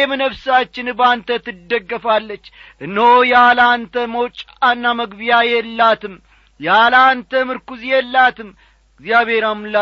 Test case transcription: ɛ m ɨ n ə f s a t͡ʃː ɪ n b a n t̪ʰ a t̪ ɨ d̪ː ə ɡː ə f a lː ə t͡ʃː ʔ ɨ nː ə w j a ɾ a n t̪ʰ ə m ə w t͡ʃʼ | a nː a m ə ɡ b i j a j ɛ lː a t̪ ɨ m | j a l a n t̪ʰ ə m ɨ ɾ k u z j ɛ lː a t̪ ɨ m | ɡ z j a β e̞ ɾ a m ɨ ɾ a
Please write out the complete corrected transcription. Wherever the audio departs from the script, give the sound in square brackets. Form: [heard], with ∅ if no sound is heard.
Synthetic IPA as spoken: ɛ m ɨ n ə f s a t͡ʃː ɪ n b a n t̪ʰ [ə] t̪ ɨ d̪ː ə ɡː ə f a lː ə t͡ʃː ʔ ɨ nː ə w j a [l] a n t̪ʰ ə m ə w t͡ʃʼ | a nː a m ə ɡ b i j a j ɛ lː a t̪ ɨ m | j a l a n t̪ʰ ə m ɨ ɾ k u z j ɛ lː a t̪ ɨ m | ɡ z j a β e̞ ɾ a m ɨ [l] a